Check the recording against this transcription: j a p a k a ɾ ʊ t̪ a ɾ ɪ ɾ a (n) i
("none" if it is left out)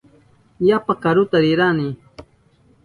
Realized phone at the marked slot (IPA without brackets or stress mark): n